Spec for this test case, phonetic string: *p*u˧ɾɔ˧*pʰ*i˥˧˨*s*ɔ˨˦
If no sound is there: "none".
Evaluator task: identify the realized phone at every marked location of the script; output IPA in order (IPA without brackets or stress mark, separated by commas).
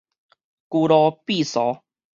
k, p, s